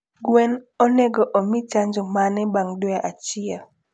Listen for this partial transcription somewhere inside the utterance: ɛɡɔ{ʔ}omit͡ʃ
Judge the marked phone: correct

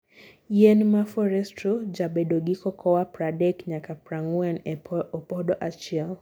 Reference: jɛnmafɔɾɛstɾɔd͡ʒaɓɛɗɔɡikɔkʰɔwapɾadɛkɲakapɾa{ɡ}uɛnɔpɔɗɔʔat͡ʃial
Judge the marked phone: incorrect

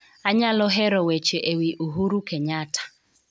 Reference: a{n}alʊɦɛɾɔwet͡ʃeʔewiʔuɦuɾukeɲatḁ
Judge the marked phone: incorrect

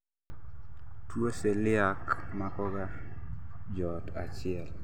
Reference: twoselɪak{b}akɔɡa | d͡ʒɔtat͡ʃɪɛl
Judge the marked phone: incorrect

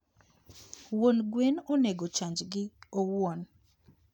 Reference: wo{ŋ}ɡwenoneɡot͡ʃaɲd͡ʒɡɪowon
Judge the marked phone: incorrect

